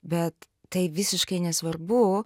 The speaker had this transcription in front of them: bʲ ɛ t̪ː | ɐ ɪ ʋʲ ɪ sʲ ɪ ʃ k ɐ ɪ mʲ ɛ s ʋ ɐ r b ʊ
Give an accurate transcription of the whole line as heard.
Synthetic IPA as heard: bʲ ɛ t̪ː | ɐ ɪ ʋʲ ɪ sʲ ɪ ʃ k ɐ ɪ nʲ ɛ s ʋ ɐ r b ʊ